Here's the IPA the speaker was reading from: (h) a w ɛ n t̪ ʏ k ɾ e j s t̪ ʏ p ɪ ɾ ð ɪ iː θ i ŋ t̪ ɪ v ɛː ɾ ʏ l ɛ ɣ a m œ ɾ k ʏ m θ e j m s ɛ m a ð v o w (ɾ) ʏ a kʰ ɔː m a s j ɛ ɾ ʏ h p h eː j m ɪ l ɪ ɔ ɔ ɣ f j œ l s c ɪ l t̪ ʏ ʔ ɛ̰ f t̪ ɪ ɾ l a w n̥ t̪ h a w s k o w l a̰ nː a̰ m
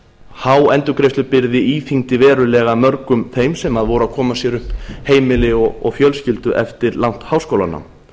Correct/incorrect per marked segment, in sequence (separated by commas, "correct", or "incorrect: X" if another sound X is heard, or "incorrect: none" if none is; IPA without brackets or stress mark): correct, correct